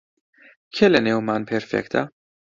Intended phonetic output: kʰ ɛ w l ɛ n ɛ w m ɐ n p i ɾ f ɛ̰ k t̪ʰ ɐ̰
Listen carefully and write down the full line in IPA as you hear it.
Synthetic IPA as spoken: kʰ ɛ l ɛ n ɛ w m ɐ n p ɛ ɾ f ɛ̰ k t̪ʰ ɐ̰